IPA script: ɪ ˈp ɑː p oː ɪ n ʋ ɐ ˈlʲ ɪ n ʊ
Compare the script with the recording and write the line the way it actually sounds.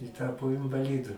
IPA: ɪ ˈt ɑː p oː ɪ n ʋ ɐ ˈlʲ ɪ d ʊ